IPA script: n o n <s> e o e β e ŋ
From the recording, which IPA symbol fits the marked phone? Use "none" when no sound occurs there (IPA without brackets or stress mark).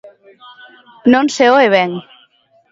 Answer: s